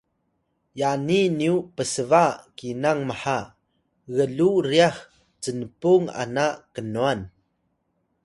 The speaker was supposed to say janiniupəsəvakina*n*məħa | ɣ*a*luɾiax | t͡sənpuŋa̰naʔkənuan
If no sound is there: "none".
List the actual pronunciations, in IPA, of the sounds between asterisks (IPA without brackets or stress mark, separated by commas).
ŋ, ə